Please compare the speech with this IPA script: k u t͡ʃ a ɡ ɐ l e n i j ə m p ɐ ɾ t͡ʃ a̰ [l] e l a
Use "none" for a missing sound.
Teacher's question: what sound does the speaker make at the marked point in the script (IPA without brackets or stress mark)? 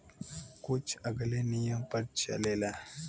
l